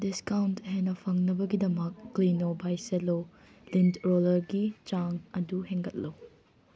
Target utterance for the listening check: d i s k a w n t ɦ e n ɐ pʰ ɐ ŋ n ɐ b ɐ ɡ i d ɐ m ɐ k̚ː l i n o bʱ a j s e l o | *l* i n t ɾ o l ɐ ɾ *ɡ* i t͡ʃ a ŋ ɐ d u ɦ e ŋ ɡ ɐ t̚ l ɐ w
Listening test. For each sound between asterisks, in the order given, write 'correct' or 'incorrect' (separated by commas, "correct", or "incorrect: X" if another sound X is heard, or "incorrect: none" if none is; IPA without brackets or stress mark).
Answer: correct, correct